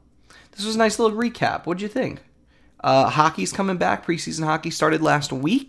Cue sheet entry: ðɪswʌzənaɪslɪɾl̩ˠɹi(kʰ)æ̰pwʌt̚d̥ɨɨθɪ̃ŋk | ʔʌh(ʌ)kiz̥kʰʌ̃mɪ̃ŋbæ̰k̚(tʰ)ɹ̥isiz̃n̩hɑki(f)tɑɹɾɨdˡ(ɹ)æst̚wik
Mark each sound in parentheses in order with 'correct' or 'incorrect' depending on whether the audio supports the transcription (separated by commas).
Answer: correct, incorrect, incorrect, incorrect, incorrect